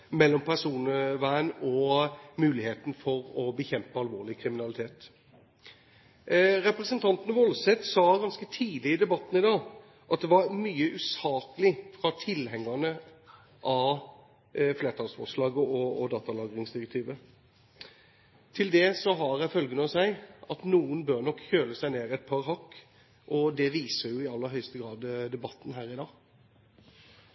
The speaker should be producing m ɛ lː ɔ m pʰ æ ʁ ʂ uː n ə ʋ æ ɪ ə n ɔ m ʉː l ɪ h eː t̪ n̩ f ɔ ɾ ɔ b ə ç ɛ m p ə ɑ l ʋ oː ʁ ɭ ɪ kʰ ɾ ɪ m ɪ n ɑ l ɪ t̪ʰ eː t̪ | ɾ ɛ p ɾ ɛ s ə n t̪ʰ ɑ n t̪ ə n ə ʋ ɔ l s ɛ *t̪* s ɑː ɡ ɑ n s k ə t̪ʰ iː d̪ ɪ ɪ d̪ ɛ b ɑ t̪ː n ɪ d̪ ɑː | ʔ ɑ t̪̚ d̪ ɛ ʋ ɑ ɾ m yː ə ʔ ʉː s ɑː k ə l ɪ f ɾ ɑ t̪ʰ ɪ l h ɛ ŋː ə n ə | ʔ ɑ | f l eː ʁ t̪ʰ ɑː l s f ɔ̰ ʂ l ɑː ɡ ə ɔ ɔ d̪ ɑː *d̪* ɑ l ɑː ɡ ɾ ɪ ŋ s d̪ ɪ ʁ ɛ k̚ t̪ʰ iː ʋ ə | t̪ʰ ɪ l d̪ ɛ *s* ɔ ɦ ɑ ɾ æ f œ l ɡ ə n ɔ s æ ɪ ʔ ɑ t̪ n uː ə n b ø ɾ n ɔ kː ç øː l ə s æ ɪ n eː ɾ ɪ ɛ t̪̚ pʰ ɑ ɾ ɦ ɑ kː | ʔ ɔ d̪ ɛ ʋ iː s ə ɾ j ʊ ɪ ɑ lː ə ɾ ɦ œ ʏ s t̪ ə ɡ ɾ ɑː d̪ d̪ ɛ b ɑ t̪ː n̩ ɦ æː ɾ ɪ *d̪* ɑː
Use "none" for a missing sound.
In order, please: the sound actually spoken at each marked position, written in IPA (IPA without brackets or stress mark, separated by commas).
t̪, t̪, s, d̪